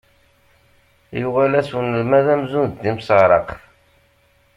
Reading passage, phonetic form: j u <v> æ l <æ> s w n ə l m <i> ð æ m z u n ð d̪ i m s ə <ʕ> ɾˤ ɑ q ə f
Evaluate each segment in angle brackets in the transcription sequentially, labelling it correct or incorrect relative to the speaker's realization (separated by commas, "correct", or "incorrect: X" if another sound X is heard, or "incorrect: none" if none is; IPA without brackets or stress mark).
incorrect: ʁ, correct, incorrect: æ, incorrect: ʁ